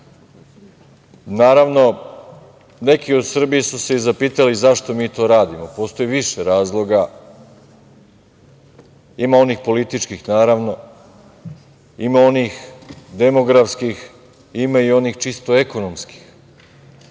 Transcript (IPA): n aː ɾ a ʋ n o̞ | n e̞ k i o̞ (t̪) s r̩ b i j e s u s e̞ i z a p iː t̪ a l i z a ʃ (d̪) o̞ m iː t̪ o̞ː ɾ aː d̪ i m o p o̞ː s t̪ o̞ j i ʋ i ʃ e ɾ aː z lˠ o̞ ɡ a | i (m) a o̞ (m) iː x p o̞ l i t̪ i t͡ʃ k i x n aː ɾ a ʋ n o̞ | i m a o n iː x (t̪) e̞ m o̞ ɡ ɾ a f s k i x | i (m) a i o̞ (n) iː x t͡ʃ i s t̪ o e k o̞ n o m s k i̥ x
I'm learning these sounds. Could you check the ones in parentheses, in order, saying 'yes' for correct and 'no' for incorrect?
no, no, yes, no, no, yes, yes

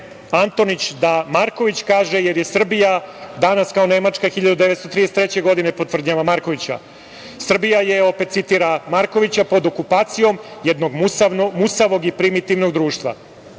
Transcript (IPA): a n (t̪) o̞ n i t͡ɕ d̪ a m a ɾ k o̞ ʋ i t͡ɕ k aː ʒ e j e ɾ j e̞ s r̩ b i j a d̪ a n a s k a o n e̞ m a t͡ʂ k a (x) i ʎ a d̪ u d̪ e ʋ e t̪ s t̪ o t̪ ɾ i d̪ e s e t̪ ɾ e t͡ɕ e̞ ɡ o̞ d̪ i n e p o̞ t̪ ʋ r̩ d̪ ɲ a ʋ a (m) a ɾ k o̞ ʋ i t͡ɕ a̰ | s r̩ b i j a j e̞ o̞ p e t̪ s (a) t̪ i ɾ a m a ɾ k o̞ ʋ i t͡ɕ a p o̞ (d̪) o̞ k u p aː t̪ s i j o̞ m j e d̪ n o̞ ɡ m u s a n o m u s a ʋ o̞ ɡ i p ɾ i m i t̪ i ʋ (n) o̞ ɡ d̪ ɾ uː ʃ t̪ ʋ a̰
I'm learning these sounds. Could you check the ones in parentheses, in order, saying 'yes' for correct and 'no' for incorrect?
yes, yes, yes, no, yes, yes

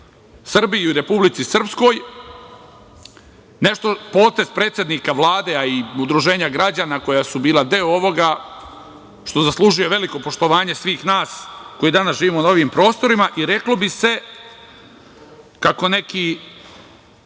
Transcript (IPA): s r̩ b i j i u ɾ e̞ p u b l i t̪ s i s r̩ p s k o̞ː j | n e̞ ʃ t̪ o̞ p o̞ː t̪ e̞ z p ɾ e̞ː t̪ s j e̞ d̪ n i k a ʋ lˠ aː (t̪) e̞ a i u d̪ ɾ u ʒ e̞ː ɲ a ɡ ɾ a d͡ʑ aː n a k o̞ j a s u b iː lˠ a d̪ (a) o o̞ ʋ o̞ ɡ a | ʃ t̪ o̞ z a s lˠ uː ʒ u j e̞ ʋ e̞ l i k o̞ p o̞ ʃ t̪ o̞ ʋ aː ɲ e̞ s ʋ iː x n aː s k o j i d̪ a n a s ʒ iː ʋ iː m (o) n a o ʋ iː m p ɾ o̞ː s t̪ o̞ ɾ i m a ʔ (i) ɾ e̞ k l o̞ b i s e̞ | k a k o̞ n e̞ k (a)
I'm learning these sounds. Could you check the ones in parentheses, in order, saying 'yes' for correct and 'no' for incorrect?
no, no, yes, yes, no

